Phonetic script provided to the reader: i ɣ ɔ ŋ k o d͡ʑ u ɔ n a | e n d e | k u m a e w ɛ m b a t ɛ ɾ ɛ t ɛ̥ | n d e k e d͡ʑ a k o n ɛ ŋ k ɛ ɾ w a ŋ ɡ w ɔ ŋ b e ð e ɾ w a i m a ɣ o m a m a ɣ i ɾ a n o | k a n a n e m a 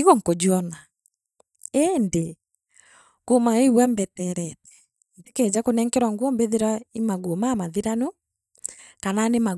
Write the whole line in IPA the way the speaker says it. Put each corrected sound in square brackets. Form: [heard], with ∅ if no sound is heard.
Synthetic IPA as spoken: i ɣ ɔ ŋ k o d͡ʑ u ɔ n a | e n d e | k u m a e w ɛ m b [ɛ] t ɛ ɾ ɛ t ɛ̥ | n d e k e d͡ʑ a k o n ɛ ŋ k ɛ ɾ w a ŋ ɡ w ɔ [m] b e ð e ɾ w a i m a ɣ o m a m a [ð] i ɾ a n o | k a n a n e m a